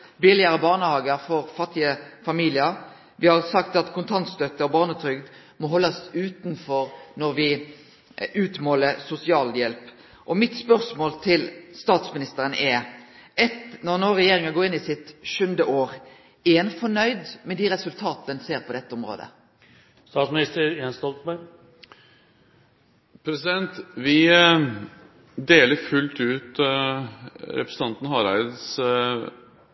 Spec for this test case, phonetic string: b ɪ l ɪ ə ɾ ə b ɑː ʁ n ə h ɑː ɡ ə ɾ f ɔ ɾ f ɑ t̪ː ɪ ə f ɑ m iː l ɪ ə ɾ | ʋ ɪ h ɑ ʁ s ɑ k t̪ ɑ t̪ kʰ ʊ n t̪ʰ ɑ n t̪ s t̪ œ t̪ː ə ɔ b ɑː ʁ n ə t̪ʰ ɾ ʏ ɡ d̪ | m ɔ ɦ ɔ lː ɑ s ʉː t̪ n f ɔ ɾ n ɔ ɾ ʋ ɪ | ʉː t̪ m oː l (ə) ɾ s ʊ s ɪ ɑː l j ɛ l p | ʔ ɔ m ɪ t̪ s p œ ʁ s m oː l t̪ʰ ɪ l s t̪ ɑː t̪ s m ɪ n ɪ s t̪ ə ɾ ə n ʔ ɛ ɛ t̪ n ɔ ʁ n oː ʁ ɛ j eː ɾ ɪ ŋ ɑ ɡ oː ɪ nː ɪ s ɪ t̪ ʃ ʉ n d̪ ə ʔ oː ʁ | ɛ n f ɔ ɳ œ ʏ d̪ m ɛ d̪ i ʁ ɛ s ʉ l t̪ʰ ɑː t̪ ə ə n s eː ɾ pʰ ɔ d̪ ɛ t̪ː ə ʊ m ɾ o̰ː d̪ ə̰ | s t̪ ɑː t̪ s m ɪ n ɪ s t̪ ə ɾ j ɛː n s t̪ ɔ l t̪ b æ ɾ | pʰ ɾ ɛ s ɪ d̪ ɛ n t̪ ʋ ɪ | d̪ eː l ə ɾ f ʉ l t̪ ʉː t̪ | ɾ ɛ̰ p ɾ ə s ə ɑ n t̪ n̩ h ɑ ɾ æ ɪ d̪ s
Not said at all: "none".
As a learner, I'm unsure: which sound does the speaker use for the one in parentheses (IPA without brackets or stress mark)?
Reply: ə